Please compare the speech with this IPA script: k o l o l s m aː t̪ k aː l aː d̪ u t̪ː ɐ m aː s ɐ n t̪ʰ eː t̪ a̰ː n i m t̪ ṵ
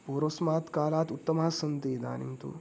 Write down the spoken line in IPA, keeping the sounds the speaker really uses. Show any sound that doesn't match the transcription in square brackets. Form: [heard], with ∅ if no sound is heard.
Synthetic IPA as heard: [p] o [ɾ] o [∅] s m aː t̪ k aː l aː [t̪] u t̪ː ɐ m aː s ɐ n [t̪] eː [d̪] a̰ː n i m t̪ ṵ